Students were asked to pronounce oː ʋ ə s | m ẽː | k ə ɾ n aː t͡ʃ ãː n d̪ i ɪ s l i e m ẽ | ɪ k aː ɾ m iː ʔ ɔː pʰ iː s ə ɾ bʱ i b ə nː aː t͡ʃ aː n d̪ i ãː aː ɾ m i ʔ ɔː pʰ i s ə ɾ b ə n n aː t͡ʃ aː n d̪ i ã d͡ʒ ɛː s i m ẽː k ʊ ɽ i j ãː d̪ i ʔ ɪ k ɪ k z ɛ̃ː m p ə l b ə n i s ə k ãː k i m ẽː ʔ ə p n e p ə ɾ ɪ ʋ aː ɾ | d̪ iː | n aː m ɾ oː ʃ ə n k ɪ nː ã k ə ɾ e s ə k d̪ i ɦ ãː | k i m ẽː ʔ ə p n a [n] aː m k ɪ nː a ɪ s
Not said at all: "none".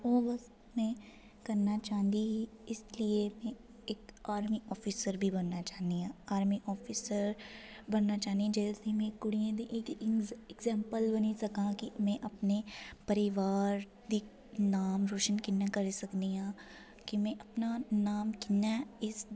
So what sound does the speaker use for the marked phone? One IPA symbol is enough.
n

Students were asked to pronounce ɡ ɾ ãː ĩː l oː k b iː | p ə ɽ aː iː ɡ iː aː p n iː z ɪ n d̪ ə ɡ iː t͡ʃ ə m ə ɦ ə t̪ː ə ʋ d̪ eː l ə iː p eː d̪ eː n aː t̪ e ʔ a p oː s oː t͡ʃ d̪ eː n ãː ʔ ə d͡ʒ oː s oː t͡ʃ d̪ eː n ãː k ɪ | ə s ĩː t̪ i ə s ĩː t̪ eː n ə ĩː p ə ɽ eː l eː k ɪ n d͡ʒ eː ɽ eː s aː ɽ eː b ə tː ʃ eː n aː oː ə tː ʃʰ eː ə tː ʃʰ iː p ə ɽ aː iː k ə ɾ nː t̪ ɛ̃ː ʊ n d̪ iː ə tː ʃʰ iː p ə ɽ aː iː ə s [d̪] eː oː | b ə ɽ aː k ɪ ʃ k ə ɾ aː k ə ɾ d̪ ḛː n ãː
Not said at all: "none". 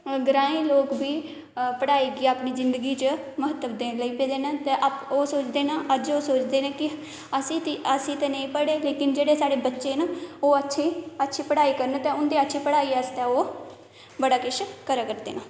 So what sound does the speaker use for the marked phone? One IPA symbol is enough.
t̪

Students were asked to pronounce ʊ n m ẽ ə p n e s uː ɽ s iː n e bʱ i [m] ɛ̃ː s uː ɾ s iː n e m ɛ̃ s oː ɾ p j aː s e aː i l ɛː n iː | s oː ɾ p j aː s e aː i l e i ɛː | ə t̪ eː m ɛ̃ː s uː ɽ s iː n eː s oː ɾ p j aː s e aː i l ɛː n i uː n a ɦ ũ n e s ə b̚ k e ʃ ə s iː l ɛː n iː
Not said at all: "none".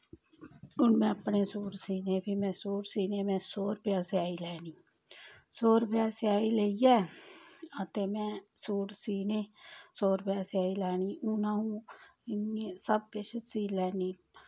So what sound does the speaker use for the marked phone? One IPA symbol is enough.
m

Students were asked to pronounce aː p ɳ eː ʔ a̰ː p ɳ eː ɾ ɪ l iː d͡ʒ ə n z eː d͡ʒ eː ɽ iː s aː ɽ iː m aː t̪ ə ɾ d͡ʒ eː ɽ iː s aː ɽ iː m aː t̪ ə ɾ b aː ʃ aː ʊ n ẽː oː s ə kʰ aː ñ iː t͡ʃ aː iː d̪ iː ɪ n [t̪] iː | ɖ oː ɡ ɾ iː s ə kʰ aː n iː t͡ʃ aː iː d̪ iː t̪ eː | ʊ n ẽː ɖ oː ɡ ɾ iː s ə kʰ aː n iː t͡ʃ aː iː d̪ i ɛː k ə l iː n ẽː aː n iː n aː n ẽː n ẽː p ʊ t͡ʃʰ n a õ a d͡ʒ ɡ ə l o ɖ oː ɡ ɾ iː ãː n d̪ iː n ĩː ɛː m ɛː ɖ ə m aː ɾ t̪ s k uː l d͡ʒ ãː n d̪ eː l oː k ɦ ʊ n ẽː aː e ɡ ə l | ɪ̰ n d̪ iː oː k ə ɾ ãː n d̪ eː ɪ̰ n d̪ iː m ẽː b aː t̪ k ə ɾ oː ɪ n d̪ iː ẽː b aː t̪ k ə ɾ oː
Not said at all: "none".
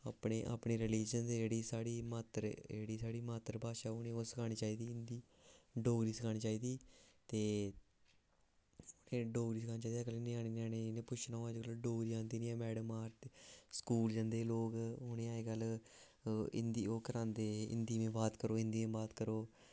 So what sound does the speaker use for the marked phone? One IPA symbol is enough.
d̪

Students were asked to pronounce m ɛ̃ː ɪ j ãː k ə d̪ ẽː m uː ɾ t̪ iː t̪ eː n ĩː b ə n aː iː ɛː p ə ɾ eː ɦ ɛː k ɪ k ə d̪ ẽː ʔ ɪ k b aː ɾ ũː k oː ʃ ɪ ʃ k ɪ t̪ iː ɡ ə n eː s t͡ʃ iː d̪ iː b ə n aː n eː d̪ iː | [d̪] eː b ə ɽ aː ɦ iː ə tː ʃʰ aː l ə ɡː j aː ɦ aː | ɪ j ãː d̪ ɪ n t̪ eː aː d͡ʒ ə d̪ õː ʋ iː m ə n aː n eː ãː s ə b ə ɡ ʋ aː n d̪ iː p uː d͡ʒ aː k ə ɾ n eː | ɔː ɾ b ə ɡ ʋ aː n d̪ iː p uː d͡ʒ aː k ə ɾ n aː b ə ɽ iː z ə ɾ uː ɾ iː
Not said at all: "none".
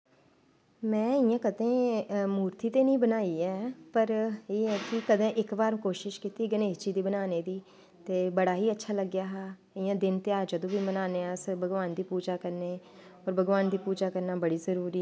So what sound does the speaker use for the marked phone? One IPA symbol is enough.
t̪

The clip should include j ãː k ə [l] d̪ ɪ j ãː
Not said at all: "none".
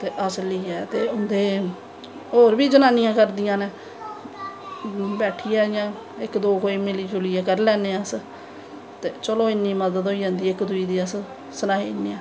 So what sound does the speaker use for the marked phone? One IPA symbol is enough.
ɾ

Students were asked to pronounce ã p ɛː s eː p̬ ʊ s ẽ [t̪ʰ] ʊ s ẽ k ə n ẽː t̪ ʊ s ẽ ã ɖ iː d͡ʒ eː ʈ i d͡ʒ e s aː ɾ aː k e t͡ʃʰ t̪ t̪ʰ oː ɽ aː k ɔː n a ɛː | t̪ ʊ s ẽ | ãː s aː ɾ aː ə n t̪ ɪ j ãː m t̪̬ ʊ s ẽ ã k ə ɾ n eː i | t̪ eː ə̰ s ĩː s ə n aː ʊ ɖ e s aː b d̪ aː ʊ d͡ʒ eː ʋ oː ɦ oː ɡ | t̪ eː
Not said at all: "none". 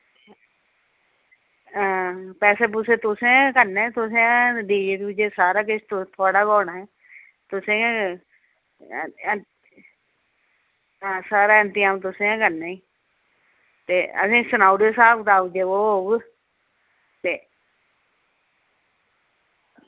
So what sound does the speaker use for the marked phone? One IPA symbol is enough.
t̪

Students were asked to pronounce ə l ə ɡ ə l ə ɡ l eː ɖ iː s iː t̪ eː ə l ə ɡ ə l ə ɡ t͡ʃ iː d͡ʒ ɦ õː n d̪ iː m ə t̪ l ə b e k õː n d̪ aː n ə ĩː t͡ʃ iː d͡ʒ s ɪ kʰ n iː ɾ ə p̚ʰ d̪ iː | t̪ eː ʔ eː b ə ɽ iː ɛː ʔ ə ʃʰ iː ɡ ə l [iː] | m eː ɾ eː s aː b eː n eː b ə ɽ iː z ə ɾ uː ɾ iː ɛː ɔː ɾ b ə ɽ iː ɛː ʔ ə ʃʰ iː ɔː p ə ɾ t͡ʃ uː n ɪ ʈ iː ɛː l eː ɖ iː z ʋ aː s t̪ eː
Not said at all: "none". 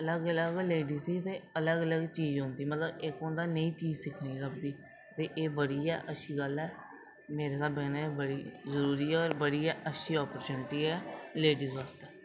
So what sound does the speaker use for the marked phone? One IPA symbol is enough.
ɛː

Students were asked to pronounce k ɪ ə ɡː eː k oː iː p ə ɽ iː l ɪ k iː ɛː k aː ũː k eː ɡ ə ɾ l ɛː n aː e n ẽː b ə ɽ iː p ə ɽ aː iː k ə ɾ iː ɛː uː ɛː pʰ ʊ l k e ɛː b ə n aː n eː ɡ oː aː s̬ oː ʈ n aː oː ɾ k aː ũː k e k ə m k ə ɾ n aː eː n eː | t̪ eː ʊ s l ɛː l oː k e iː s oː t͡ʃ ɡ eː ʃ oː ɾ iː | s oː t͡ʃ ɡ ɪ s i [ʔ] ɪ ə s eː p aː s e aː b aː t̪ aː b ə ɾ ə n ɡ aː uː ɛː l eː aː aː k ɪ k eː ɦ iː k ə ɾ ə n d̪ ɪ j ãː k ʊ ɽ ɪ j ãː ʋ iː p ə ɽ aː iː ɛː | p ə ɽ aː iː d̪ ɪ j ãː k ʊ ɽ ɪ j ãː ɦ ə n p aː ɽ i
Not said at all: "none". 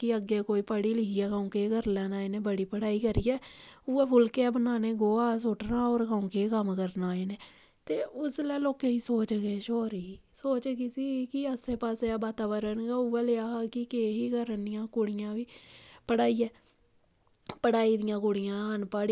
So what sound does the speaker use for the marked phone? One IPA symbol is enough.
k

